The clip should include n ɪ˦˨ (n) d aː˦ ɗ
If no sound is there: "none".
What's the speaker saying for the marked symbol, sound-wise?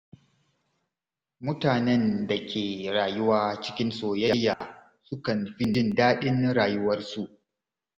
n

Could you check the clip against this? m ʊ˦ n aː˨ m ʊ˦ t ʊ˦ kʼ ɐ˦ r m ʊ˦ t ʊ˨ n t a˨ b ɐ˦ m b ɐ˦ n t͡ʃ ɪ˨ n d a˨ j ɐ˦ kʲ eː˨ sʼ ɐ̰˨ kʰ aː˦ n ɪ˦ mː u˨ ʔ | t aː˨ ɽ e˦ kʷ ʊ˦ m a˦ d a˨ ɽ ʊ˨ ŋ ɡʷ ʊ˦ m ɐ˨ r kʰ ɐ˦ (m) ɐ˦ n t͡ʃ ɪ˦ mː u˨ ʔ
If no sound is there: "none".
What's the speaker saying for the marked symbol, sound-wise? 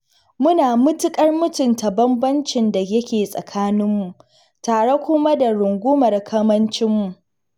m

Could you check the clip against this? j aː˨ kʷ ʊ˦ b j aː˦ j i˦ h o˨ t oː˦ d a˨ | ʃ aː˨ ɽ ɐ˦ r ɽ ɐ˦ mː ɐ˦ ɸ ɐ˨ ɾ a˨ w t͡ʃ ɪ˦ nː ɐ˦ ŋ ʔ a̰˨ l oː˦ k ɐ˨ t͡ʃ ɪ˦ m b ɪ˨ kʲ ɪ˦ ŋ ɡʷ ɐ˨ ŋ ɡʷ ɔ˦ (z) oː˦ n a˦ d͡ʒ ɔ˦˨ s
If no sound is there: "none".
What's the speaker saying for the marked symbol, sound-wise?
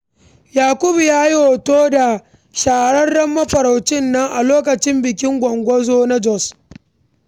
z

